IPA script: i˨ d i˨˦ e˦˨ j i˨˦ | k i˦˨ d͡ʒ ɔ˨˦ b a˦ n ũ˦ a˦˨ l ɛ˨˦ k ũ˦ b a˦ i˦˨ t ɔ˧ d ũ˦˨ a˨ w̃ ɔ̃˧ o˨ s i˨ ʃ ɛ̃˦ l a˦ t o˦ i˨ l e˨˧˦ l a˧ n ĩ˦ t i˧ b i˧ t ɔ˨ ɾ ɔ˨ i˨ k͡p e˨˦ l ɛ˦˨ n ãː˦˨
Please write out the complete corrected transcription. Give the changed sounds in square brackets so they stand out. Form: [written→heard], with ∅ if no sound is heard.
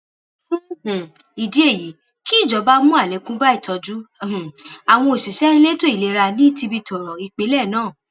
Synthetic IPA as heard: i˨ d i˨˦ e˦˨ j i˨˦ | k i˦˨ d͡ʒ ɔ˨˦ b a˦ [n→m] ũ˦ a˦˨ l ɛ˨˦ k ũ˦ b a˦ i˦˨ t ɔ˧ [d→d͡ʒ] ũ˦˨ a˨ w̃ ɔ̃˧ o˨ s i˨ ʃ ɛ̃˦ l [a˦→e˦] t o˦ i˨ l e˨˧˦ [l→ɾ] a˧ n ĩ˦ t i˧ b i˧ t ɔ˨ ɾ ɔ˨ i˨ k͡p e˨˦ l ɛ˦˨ n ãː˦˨

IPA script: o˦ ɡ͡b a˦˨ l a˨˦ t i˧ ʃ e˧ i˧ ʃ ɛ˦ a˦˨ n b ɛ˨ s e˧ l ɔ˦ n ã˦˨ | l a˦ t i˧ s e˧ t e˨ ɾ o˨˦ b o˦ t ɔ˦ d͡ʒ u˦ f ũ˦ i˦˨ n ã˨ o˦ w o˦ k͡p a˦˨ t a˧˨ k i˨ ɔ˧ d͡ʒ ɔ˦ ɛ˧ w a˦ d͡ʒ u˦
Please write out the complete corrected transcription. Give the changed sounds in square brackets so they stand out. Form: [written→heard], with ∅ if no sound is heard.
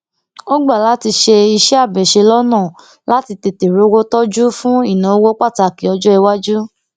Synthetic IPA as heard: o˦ ɡ͡b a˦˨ l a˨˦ t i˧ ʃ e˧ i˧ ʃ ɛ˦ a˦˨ [n→∅] b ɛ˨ [s→ʃ] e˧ l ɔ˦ n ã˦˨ | l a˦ t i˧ [s→t] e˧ t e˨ ɾ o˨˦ [b→w] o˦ t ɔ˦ d͡ʒ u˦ f ũ˦ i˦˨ n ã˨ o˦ w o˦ k͡p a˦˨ t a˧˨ k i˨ ɔ˧ d͡ʒ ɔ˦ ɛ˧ w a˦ d͡ʒ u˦

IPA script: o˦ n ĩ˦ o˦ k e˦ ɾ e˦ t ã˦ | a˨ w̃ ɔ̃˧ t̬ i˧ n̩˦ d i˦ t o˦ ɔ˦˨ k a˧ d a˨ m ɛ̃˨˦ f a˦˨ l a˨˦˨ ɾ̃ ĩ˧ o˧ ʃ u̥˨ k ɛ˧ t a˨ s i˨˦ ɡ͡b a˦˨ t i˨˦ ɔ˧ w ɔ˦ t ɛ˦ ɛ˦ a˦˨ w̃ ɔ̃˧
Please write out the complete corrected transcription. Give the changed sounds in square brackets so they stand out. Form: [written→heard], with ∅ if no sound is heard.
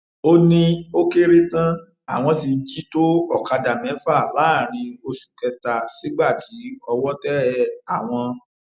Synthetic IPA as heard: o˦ n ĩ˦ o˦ k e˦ ɾ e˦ t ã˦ | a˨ w̃ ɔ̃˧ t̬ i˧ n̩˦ [d→d͡ʒ] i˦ t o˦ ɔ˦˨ k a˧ d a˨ m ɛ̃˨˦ f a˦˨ l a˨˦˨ ɾ̃ ĩ˧ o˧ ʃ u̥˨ k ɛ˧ t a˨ s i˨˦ ɡ͡b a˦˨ t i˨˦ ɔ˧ w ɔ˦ t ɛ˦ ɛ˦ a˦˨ w̃ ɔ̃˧

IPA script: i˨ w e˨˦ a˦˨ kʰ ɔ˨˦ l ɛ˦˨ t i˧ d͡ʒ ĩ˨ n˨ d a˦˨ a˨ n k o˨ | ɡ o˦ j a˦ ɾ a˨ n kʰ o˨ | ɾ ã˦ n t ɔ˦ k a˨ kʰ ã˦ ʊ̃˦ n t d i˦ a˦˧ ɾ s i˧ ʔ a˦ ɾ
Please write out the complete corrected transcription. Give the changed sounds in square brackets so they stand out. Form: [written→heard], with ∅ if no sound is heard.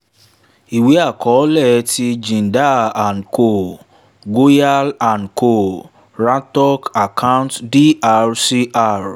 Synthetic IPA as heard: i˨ w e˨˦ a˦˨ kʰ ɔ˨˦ l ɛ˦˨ t i˧ d͡ʒ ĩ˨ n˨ d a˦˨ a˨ n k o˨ | ɡ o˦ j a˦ [ɾ→l] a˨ n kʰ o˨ | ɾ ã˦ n t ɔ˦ k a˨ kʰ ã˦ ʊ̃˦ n t d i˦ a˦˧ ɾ s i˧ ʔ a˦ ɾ

